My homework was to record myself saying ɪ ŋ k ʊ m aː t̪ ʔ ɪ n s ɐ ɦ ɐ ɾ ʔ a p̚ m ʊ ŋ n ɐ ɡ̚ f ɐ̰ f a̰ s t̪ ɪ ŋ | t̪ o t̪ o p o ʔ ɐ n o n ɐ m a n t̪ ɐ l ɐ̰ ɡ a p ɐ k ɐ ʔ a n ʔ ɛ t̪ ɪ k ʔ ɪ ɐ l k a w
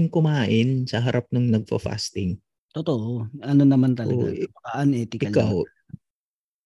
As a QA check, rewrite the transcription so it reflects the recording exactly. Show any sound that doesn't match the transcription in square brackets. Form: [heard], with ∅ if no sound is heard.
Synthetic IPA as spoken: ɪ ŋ k ʊ m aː [∅] ʔ ɪ n s ɐ ɦ ɐ ɾ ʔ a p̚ [n] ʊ ŋ n ɐ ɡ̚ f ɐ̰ f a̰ s t̪ ɪ ŋ | t̪ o t̪ o [ʔ] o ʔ ɐ n o n ɐ m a n t̪ ɐ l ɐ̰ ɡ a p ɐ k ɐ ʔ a n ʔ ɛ t̪ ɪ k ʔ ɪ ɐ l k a w